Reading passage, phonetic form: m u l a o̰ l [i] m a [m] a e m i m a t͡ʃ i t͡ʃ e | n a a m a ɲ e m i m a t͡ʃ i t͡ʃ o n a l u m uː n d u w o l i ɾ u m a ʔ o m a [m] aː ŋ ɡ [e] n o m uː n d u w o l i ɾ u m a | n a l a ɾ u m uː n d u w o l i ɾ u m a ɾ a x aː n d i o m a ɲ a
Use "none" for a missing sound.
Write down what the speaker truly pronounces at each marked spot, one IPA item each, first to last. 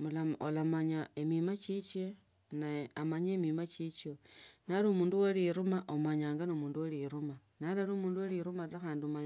a, ɲ, ɲ, a

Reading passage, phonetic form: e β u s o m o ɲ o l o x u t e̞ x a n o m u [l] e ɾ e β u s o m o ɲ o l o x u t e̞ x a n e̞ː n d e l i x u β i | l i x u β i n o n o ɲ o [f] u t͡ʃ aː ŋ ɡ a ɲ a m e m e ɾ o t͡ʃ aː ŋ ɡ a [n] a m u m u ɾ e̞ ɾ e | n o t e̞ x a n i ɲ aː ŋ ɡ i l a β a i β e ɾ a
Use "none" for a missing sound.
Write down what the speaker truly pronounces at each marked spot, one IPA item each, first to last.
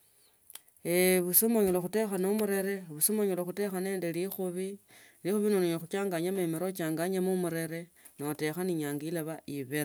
ɾ, x, ɲ

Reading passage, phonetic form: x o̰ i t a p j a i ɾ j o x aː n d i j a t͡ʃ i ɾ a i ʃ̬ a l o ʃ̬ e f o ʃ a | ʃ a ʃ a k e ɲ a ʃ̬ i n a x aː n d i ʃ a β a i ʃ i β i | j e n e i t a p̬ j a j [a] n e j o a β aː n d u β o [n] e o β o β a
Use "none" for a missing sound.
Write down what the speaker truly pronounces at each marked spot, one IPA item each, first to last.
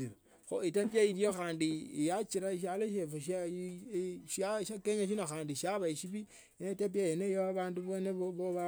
e, n

